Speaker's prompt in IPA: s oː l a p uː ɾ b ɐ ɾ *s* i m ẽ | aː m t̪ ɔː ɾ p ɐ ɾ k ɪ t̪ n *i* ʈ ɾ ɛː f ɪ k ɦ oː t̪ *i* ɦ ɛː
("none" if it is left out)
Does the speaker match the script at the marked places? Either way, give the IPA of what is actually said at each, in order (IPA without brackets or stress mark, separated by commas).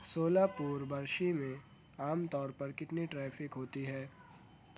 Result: ʃ, i, i